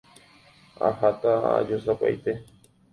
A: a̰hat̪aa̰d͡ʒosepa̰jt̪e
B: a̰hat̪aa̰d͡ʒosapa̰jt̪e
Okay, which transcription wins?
B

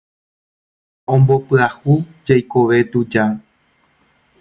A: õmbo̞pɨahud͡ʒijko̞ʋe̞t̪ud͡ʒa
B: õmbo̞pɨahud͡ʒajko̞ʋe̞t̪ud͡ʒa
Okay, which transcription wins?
B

